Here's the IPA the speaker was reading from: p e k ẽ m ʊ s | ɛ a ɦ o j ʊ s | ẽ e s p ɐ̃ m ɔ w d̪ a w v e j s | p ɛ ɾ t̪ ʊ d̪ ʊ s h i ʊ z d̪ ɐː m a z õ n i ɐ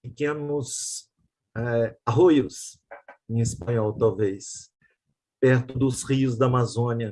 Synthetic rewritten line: p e k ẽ n ʊ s | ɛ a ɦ o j ʊ s | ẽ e s p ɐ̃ ɲ ɔ w t̪ a w v e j s | p ɛ ɾ t̪ ʊ d̪ ʊ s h i ʊ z d̪ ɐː m a z õ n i ɐ